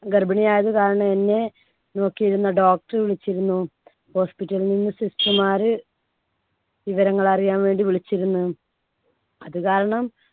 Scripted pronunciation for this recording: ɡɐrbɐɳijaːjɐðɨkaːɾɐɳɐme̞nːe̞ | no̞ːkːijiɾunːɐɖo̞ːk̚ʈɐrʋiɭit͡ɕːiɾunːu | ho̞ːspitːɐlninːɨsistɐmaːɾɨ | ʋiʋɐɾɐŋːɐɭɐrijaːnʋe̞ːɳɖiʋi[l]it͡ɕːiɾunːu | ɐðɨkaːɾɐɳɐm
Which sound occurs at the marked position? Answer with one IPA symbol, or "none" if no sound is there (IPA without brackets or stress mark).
ɭ